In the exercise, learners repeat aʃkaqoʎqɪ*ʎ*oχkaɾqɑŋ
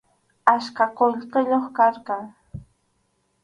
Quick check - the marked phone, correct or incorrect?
correct